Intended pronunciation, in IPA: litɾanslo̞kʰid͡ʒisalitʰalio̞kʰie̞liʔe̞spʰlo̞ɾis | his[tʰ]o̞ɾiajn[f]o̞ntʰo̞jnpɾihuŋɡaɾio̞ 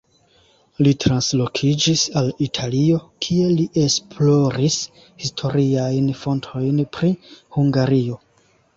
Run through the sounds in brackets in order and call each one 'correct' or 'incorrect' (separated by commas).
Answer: correct, correct